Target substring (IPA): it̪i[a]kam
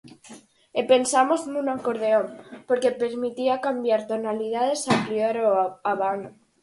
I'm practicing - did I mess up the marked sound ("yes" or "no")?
no